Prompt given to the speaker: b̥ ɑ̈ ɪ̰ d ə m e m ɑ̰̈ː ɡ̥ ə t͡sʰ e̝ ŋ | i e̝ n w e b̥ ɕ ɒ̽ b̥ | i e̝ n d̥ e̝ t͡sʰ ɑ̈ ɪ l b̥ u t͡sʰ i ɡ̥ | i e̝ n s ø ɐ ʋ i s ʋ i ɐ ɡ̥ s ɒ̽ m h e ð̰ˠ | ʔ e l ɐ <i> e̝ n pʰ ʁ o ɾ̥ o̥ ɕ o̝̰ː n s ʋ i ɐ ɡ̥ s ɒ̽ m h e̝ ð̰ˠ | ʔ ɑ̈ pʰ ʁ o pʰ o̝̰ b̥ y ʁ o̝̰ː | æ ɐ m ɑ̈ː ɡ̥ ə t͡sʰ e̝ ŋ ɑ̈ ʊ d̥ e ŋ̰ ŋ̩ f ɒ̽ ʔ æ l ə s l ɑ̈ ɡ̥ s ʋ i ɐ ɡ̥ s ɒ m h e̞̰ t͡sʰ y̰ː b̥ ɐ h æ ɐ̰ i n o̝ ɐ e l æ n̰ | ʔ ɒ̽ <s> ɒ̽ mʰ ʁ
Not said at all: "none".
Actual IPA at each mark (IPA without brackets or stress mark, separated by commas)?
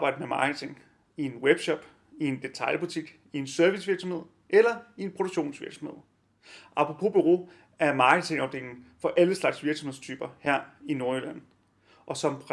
i, s